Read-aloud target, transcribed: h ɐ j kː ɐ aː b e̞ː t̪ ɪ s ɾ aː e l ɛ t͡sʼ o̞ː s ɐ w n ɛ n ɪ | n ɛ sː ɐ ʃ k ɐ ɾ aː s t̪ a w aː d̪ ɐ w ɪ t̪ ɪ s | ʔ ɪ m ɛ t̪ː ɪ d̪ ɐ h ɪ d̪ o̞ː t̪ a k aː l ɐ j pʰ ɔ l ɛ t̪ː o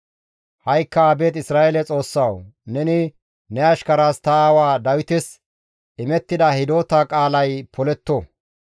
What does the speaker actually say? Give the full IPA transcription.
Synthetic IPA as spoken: h ɐ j kː ɐ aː b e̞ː t̪ ɪ s ɾ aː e l ɛ t͡sʼ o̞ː sː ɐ w n ɛ n ɪ | n ɛ ɐ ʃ k ɐ ɾ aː s t̪ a w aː d̪ ɐ w ɪ t̪ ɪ s | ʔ ɪ m ɛ t̪ː ɪ d̪ ɐ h ɪ d̪ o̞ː t̪ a kʼ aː l ɐ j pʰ ɔ l ɛ t̪ː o